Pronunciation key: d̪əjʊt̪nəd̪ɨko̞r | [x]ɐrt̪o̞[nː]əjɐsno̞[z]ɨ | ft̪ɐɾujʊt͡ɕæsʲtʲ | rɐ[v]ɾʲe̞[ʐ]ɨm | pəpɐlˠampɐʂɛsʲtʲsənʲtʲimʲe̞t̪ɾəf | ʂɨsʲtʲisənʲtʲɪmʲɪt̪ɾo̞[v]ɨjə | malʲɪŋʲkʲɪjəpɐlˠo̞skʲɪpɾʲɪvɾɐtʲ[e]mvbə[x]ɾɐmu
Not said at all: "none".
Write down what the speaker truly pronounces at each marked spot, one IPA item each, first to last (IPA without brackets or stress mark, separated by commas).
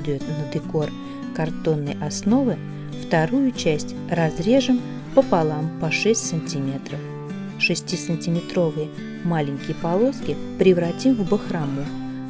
k, nː, v, z, ʐ, v, i, x